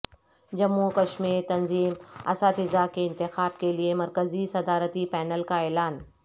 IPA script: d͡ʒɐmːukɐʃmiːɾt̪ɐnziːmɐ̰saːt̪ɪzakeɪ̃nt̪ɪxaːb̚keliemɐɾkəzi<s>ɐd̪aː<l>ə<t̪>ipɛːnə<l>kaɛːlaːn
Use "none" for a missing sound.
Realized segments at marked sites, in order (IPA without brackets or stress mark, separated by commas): s, ɾ, t̪, l